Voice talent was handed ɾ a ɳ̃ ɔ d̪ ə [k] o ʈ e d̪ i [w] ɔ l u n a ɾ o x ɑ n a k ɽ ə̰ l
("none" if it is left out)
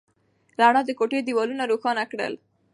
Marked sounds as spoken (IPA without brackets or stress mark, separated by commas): k, w